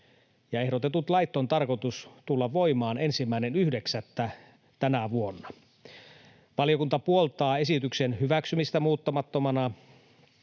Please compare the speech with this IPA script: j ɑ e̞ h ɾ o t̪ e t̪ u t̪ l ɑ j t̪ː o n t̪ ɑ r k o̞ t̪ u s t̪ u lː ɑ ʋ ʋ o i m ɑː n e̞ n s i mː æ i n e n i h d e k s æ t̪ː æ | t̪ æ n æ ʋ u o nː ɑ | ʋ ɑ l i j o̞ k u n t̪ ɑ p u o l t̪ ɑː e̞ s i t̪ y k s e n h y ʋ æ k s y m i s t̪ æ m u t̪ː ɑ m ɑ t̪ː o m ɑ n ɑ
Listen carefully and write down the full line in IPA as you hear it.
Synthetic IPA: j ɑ e̞ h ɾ o t̪ e t̪ u t̪ l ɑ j t̪ː o n t̪ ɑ r k o̞ t̪ u s t̪ u lː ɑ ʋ ʋ o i m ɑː n e̞ n s i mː æ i n e n y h d e k s æ t̪ː æ | t̪ æ n æ ʋ u o nː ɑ | ʋ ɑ l i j o̞ k u n t̪ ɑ p u o l t̪ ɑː e̞ s i t̪ y k s e n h y ʋ æ k s y m i s t̪ æ m uː t̪ː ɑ m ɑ t̪ː o m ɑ n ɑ

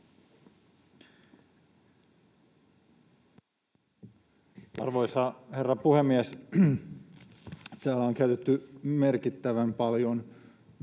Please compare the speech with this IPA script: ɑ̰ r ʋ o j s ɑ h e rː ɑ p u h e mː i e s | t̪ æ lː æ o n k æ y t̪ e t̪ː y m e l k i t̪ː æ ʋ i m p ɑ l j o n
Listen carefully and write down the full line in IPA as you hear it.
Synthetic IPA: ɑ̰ r ʋ o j s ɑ h e rː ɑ p u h e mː i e s | t̪ æː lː æ o ŋ k æ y t̪ e t̪ː y m e r k i t̪ː æ ʋ æ m p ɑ l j o n

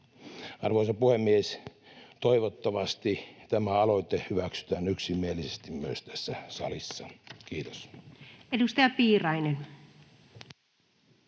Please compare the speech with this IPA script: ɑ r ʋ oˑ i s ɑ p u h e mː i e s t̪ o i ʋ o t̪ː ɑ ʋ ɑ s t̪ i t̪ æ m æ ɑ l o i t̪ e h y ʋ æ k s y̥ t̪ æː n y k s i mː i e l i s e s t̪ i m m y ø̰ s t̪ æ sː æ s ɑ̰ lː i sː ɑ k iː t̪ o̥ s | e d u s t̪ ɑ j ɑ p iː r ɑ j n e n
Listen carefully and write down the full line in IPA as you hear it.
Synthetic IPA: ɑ r ʋ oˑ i s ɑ p u h e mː i e s t̪ o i ʋ o t̪ː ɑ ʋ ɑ s t̪ i t̪ æ m æ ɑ l o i t̪ e h y ʋ æ k s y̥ t̪ æː n y k s i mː i e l i s e s t̪ i m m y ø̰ s t̪ æ sː æ s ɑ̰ l i sː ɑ k iː t̪ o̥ s | e d u s t̪ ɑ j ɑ p iː r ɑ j n e n

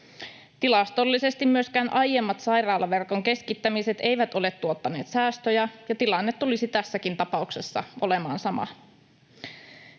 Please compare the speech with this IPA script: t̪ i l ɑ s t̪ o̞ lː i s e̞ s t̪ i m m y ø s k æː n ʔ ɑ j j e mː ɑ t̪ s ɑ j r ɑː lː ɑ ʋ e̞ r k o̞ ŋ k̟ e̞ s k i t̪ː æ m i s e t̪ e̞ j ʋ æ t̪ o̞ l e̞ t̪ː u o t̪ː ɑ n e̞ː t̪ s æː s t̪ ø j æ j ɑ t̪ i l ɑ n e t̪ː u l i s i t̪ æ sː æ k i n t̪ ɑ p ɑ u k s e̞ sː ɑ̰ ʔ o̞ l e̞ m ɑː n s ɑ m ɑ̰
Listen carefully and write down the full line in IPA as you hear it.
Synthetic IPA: t̪ i l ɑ s t̪ o̞ lː i s e̞ s t̪ i m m y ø s k æː n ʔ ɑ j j e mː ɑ t̪ s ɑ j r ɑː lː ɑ ʋ e̞ r k o̞ ŋ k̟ e̞ s k i t̪ː æ m i s e t̪ e̞ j ʋ æ t̪ o̞ l e̞ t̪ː u o t̪ː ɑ n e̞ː t̪ s æː s t̪ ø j æ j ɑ t̪ i l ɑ nː e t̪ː u l i s i t̪ æ sː æ k i n t̪ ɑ p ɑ u k s e̞ sː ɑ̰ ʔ o̞ l e̞ m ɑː n s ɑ m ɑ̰

